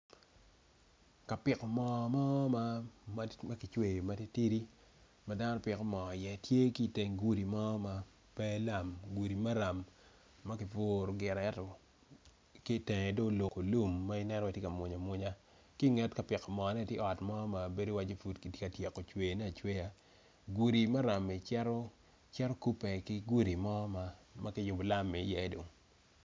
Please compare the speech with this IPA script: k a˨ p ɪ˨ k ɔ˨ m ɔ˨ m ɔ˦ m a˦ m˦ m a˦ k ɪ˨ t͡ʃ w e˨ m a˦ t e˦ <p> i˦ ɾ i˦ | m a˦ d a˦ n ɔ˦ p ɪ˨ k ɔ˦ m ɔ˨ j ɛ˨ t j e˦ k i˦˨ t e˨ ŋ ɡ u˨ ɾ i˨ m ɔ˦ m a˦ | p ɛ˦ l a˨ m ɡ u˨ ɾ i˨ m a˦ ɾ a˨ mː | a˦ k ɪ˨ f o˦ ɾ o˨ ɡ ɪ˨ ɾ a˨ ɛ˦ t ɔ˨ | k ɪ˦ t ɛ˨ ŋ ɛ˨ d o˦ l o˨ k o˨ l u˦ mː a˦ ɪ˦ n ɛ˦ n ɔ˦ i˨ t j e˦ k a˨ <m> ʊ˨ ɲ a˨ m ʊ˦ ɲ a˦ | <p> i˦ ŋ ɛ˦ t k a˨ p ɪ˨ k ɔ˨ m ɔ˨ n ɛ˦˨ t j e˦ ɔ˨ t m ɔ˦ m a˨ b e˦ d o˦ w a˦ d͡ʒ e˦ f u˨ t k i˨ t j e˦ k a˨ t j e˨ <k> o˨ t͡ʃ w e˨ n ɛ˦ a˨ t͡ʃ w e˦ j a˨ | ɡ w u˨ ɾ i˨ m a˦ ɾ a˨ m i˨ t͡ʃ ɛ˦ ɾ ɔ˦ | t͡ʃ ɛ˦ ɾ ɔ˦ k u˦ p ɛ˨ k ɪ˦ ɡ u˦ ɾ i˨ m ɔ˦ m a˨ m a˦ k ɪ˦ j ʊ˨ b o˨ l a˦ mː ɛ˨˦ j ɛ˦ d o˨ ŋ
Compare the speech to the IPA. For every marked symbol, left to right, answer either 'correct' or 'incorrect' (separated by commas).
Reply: incorrect, correct, incorrect, correct